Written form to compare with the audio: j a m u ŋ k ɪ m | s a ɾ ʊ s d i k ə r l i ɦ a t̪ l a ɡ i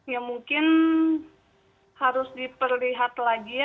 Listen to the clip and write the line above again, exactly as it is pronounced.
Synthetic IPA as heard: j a m u ŋ k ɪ n | h a ɾ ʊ s d i p ə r l i ɦ a t̪ l a ɡ i